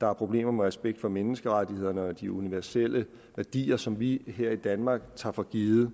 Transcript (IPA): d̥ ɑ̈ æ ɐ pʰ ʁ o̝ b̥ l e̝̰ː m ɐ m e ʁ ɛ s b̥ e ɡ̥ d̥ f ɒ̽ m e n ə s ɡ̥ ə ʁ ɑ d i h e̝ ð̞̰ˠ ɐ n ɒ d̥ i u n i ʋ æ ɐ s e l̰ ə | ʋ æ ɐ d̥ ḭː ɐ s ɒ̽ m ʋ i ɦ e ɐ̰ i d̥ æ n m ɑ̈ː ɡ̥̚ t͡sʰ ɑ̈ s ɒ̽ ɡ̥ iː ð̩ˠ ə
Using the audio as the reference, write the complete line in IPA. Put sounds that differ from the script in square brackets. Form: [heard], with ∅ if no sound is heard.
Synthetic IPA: d̥ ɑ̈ æ ɐ pʰ ʁ o̝ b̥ l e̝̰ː m ɐ m e ʁ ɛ s b̥ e ɡ̥ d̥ f ɒ̽ m e n ə s ɡ̥ ə ʁ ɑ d i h e̝ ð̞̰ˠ ɐ n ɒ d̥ i u n i ʋ æ ɐ s e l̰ ə | ʋ æ ɐ d̥ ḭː ɐ s ɒ̽ m ʋ i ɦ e ɐ̰ i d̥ æ n m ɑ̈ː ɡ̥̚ t͡sʰ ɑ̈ [f] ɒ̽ ɡ̥ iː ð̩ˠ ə